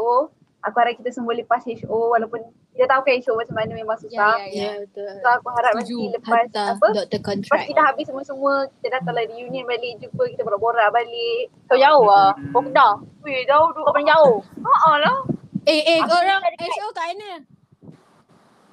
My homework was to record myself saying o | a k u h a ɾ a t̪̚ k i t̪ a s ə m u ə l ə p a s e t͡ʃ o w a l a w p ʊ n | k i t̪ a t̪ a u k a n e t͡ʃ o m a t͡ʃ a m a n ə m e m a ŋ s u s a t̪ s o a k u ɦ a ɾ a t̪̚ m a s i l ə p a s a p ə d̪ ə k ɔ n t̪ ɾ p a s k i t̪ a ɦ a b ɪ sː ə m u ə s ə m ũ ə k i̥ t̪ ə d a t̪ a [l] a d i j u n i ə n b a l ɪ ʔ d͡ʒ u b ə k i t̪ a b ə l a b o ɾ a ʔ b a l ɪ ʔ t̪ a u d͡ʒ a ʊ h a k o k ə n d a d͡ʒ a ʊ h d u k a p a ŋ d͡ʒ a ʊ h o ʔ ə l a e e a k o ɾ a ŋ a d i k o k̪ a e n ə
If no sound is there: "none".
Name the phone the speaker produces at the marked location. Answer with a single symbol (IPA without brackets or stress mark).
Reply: l